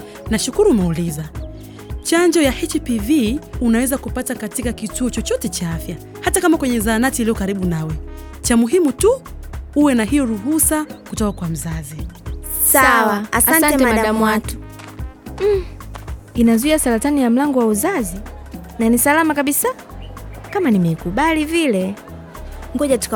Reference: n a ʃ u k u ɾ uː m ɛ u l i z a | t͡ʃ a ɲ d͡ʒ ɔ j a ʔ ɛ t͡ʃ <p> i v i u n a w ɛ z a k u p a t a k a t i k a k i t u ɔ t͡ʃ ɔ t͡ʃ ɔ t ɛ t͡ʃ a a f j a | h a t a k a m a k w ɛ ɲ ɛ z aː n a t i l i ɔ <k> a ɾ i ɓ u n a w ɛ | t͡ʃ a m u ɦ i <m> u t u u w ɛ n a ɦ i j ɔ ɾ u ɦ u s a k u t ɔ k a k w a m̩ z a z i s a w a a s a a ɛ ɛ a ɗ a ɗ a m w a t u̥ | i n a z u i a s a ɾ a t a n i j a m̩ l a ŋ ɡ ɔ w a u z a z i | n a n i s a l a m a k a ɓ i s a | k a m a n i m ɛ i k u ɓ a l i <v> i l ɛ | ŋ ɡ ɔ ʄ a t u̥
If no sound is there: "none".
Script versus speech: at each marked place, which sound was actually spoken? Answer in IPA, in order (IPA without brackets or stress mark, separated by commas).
p, k, m, v